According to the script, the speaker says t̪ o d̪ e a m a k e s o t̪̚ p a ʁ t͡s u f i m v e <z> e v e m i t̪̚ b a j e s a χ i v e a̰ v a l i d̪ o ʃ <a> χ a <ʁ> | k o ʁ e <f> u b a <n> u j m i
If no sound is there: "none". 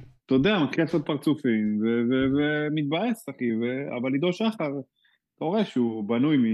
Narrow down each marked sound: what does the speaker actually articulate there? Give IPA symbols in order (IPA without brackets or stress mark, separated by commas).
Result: v, a, ʁ, ʃ, n